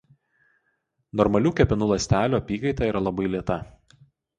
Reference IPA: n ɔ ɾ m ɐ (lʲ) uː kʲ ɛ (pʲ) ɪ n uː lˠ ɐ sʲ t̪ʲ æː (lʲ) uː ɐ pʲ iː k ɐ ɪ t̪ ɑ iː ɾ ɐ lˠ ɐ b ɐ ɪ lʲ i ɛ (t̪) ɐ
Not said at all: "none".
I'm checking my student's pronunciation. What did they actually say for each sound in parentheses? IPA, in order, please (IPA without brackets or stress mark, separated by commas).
lʲ, pʲ, lʲ, t̪